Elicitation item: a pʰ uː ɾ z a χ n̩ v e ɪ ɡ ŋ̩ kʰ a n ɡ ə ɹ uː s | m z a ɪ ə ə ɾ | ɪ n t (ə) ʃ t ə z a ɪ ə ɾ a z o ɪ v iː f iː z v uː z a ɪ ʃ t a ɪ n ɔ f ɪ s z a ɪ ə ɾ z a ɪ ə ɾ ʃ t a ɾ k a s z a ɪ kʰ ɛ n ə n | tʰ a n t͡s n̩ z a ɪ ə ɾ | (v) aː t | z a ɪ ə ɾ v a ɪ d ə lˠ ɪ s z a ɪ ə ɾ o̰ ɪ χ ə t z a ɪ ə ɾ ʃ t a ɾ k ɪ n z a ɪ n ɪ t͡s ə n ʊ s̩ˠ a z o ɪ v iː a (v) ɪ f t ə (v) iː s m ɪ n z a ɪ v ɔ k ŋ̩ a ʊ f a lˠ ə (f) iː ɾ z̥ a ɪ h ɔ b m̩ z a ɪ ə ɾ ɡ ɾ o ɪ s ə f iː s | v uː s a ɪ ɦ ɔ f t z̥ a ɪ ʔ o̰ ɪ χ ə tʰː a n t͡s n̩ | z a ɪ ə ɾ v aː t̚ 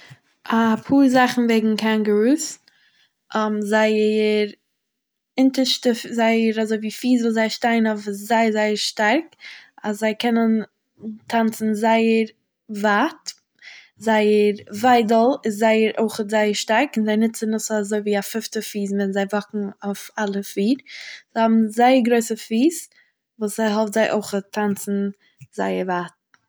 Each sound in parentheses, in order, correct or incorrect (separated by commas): correct, correct, incorrect, incorrect, correct